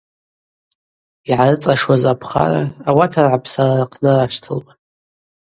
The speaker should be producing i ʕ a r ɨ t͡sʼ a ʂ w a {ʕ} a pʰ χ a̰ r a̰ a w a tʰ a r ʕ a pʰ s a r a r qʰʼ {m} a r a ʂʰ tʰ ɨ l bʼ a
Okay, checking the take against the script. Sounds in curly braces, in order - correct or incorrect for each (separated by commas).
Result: incorrect, incorrect